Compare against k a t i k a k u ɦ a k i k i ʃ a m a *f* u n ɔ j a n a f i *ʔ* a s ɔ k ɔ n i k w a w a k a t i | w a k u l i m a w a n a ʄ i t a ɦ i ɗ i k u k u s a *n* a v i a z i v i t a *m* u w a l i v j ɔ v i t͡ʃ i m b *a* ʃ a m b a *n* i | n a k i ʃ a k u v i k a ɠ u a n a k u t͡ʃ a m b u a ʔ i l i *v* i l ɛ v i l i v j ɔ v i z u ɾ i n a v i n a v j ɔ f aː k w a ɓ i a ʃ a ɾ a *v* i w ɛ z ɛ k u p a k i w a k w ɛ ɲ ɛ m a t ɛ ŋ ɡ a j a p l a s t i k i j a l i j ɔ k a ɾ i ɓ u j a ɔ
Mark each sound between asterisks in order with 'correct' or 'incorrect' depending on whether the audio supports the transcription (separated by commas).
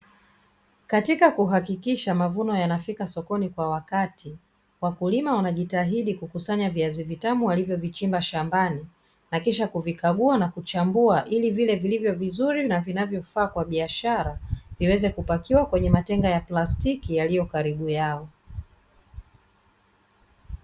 incorrect, incorrect, incorrect, correct, correct, correct, correct, correct